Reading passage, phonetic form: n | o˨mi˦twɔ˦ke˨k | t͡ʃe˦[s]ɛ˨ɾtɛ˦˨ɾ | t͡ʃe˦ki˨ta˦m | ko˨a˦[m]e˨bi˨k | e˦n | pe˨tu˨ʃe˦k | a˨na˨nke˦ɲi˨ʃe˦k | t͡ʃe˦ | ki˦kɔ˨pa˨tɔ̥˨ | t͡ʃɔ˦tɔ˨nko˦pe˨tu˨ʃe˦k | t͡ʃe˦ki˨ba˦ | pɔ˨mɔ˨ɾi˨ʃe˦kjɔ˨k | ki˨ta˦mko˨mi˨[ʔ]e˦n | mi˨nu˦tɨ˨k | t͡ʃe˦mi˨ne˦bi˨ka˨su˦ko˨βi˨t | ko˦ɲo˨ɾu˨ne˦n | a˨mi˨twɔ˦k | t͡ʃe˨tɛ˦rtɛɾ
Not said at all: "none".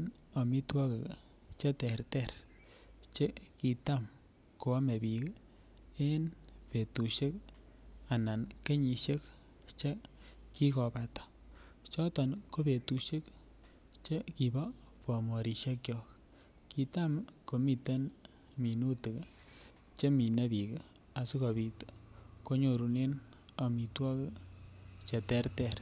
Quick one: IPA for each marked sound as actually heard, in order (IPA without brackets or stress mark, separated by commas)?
t, m, t